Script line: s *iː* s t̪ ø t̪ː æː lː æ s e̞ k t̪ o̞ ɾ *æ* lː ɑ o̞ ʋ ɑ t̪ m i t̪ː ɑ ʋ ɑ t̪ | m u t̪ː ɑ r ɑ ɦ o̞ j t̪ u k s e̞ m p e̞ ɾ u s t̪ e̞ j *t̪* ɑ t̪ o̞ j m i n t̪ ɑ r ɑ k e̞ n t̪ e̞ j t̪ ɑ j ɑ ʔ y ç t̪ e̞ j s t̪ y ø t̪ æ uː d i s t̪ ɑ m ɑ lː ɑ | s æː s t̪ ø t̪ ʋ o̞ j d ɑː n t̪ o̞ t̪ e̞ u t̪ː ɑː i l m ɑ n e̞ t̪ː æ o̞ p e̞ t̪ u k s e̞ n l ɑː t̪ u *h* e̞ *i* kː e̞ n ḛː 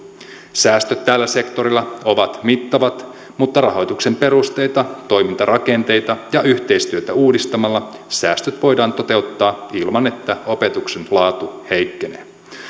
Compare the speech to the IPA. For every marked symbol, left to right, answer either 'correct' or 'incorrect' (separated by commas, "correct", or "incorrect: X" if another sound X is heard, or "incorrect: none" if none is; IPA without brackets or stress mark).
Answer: incorrect: æː, incorrect: i, correct, correct, incorrect: j